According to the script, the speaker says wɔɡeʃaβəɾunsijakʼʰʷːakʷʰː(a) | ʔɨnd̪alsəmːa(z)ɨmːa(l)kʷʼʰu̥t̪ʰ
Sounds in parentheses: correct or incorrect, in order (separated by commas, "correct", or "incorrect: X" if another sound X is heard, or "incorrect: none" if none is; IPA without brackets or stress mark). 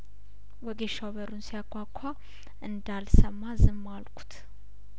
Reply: correct, correct, correct